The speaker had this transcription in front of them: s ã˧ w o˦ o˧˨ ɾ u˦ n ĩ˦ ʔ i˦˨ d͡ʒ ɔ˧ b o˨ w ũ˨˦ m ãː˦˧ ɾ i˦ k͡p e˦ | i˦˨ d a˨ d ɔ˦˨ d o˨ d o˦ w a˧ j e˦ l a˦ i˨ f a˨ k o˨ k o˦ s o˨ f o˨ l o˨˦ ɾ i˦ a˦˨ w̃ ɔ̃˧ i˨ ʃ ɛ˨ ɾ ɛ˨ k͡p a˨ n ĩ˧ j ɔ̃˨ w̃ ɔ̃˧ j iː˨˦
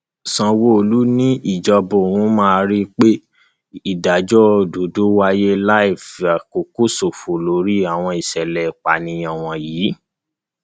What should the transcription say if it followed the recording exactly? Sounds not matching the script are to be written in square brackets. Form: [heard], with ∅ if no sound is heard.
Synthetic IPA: s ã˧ w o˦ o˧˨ [l] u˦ n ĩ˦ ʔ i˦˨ d͡ʒ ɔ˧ b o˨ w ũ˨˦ m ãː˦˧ ɾ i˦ k͡p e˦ | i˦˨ d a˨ [d͡ʒ] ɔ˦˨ d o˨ d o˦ w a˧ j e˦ l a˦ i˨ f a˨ k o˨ k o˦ s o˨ f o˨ l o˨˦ ɾ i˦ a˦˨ w̃ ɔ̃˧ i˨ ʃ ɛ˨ [l] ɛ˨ k͡p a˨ n ĩ˧ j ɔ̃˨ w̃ ɔ̃˧ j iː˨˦

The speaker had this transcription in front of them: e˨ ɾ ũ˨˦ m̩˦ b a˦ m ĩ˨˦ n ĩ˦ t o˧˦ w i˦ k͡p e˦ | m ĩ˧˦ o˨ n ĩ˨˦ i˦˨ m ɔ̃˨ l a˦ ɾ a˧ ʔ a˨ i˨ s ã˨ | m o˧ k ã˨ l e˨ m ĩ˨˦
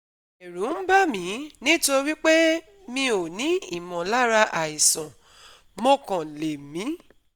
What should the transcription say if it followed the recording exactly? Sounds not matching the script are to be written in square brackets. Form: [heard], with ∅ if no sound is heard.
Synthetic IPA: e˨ ɾ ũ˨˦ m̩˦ b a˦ m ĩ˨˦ n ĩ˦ t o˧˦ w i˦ k͡p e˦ | m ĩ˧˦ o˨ n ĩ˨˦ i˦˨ m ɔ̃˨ l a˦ ɾ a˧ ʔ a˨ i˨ s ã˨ | m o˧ k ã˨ l e˨ m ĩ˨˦

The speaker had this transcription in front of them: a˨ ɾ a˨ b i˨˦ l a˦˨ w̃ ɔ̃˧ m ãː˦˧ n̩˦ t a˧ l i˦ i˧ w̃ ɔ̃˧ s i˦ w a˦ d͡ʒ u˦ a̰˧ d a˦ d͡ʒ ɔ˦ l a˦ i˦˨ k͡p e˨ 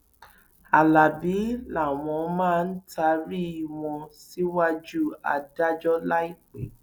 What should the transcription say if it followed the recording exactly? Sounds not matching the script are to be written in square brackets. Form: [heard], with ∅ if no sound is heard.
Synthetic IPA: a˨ [l] a˨ b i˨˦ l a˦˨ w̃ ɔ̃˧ m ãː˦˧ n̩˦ t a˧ [ɾ] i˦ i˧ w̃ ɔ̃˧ s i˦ w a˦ d͡ʒ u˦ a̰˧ d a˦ d͡ʒ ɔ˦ l a˦ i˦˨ k͡p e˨

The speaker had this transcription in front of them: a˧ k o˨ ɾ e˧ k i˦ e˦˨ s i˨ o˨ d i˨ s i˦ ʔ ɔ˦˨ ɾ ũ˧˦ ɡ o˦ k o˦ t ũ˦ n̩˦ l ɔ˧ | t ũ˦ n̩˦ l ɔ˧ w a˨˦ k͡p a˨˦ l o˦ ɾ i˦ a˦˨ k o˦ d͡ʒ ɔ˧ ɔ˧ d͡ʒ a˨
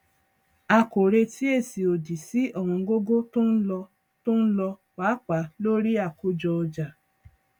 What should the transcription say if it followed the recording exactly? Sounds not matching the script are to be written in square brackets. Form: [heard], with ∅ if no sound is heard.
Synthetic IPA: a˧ k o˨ ɾ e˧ [t] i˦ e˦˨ s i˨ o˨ d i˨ s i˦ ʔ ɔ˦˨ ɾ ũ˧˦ ɡ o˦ [ɡ] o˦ t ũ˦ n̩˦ l ɔ˧ | t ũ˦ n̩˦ l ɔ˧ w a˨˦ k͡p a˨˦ l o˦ ɾ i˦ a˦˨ k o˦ d͡ʒ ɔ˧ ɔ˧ d͡ʒ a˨

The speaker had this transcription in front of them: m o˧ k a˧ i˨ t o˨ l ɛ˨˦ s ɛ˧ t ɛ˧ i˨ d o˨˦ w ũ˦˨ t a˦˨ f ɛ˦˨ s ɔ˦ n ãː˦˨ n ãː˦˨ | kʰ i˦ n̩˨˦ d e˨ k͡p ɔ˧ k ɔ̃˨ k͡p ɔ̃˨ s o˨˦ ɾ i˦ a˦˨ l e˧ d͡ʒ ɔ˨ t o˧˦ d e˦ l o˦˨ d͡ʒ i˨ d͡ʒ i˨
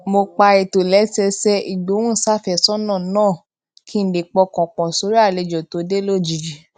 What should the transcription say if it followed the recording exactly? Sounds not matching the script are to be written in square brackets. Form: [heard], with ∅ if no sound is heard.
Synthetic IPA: m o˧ [k͡p] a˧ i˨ t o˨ l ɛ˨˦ s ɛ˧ [s] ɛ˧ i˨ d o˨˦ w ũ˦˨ [s] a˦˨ f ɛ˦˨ s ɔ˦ n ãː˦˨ n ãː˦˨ | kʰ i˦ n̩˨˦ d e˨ k͡p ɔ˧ k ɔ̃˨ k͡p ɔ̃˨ s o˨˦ ɾ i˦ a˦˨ l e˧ d͡ʒ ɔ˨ t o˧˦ d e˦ l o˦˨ d͡ʒ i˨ d͡ʒ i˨

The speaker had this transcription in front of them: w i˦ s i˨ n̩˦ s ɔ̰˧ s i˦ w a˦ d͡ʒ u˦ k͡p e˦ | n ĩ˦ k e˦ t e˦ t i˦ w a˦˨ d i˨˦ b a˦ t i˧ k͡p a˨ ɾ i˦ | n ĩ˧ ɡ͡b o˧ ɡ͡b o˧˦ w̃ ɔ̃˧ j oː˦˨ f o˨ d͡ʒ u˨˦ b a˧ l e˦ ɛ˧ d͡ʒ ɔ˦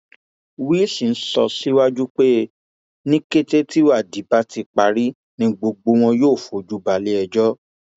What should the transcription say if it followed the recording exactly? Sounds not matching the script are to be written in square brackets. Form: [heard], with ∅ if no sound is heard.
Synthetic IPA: w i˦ s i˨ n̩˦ s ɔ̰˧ s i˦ w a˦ d͡ʒ u˦ k͡p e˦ | n ĩ˦ k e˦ t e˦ t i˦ w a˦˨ d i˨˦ b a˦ t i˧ k͡p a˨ ɾ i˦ | n ĩ˧ ɡ͡b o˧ ɡ͡b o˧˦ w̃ ɔ̃˧ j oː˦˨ f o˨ d͡ʒ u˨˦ b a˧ l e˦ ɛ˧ d͡ʒ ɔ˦

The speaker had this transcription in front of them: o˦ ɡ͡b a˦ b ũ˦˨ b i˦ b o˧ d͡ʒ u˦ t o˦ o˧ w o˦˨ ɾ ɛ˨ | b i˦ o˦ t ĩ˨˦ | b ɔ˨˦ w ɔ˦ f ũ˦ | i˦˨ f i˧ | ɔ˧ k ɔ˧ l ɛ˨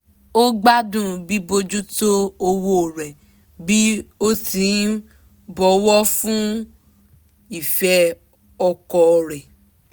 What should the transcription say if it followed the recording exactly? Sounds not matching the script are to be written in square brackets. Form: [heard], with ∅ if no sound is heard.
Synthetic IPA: o˦ ɡ͡b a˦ [d] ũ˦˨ b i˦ b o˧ d͡ʒ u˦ t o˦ o˧ w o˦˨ ɾ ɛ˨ | b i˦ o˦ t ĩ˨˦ | b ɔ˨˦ w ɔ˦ f ũ˦ | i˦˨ f [ɛ˧] | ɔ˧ k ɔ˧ [ɾ] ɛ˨

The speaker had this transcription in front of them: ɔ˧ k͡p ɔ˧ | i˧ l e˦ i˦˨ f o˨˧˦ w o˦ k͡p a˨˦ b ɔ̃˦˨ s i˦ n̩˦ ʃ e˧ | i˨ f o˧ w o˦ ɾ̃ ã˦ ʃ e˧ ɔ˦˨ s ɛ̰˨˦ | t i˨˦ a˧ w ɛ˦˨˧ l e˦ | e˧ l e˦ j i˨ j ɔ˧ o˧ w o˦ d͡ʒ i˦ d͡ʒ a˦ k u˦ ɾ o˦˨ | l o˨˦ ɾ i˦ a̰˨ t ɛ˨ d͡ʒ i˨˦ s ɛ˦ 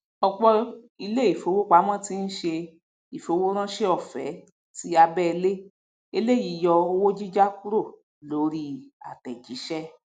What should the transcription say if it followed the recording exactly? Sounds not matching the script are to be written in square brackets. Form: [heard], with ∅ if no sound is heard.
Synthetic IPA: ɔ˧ k͡p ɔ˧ | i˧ l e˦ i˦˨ f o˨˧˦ w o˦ k͡p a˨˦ [m] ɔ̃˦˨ [t] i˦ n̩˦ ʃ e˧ | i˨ f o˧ w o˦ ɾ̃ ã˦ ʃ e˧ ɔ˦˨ [f] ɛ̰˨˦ | t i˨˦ a˧ [b] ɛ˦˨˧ l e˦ | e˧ l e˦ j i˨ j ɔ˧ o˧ w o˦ d͡ʒ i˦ d͡ʒ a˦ k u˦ ɾ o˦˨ | l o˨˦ ɾ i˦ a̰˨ t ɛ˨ d͡ʒ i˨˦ [ʃ] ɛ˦

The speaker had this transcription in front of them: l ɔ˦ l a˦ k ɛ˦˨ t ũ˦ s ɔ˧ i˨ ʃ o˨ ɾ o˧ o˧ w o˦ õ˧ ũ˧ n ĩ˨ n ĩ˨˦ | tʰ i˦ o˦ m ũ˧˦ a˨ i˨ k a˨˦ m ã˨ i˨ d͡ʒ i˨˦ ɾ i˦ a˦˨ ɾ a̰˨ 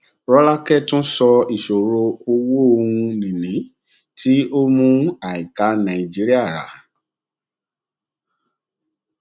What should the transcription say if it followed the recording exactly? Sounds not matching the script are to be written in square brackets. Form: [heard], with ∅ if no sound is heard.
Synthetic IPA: [ɾ] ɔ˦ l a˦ k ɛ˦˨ t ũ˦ s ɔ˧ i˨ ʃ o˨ ɾ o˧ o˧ w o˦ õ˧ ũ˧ n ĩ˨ n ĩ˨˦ | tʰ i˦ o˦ m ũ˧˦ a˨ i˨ k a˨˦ [n] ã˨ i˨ d͡ʒ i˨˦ ɾ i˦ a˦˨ ɾ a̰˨

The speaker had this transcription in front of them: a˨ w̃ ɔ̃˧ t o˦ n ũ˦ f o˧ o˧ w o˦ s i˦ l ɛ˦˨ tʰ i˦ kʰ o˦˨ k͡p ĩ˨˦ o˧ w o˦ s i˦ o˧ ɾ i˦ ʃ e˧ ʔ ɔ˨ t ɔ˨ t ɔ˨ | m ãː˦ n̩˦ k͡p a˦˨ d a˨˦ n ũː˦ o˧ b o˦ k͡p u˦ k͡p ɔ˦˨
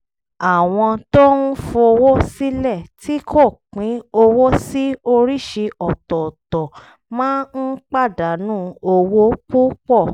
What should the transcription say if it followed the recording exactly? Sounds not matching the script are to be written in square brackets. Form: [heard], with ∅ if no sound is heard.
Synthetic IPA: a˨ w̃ ɔ̃˧ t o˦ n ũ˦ f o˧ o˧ w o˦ s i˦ l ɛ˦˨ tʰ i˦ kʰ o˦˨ k͡p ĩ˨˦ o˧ w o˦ s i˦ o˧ ɾ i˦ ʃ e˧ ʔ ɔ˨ t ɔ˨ t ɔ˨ | m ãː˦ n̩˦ k͡p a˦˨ d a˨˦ n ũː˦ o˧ [w] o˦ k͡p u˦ k͡p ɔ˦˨

